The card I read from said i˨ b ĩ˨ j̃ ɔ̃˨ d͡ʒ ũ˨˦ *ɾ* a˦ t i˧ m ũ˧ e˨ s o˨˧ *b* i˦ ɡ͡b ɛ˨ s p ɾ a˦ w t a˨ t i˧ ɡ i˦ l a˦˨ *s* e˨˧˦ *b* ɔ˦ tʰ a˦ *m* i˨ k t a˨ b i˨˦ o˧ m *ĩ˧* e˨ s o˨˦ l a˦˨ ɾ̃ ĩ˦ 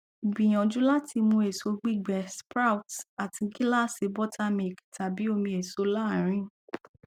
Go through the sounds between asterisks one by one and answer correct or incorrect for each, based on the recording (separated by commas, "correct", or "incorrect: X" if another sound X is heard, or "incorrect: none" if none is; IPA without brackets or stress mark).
incorrect: l, incorrect: ɡ͡b, correct, correct, correct, correct